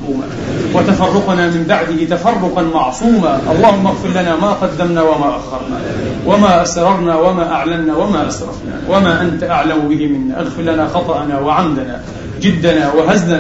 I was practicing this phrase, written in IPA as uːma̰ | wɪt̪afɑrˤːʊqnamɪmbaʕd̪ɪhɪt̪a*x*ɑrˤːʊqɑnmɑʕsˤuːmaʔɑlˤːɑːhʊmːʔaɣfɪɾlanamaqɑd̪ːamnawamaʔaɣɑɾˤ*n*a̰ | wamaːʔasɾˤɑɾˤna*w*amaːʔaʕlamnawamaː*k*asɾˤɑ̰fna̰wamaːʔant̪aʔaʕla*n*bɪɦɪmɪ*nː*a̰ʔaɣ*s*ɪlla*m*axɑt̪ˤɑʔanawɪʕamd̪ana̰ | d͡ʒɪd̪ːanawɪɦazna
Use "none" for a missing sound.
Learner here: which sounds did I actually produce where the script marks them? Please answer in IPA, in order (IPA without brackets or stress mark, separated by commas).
f, n, w, ʔ, m, nː, f, n